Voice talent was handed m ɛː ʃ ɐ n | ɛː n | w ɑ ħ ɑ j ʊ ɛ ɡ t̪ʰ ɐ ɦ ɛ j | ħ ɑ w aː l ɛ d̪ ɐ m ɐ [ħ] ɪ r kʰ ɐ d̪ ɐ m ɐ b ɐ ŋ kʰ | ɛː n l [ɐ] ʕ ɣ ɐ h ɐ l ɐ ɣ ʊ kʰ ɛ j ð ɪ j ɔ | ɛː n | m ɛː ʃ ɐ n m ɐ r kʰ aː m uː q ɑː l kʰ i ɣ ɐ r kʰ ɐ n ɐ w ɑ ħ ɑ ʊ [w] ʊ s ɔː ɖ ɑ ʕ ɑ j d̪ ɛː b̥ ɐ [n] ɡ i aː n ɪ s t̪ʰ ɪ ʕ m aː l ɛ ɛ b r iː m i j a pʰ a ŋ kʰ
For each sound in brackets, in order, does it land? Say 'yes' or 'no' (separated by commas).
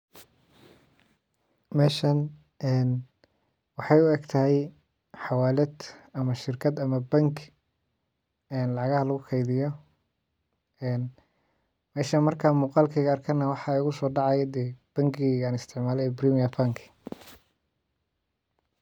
no, no, no, no